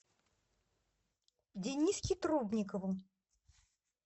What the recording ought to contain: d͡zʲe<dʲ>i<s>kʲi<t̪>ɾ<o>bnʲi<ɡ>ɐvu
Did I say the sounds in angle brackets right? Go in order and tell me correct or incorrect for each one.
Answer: incorrect: nʲ, correct, correct, incorrect: u, incorrect: k

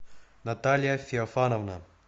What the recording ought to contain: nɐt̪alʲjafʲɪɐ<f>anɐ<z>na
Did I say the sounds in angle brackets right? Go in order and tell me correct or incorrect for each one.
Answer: correct, incorrect: v

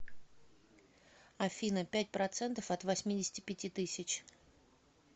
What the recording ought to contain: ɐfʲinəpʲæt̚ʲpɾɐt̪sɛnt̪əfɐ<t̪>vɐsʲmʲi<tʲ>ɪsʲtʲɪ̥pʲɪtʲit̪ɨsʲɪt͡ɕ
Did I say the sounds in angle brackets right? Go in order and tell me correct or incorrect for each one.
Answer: correct, incorrect: dʲ

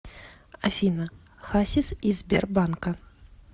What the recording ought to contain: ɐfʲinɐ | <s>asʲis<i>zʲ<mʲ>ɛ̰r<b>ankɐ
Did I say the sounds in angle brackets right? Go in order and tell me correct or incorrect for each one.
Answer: incorrect: x, correct, incorrect: bʲ, correct

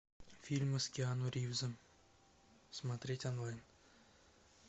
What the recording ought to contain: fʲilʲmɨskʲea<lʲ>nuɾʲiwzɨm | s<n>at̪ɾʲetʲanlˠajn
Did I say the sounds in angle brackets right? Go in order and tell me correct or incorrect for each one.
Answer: incorrect: none, incorrect: m

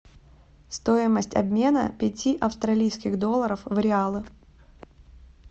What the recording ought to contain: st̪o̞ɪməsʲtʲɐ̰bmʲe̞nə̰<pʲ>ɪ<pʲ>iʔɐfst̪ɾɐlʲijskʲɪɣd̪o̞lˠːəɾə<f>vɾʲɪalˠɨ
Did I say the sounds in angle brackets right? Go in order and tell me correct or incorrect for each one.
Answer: correct, incorrect: tʲ, correct

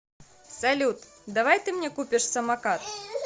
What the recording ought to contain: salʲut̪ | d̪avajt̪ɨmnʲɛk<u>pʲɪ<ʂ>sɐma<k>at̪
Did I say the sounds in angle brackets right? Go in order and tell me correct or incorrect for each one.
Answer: correct, correct, correct

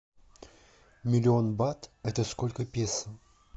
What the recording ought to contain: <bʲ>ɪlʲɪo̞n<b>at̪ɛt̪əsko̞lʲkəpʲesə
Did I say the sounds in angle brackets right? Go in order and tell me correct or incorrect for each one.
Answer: incorrect: mʲ, correct

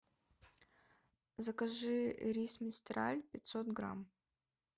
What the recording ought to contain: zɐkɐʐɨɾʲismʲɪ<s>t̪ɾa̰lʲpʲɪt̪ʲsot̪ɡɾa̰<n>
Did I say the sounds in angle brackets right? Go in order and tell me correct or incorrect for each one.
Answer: correct, incorrect: m

